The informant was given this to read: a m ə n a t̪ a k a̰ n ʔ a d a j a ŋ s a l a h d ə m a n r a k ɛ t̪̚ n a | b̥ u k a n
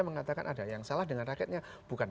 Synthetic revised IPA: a m ə ŋ a t̪ a k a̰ n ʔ a d a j a ŋ s a l a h d ə ŋ a n r a k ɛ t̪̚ ɲ a | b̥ u k a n